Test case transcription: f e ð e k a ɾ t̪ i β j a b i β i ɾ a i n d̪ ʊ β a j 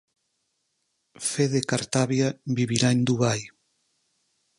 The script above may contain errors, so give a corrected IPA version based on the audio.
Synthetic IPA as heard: f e ð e k a ɾ t̪ a β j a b i β i ɾ a e n d̪ u β a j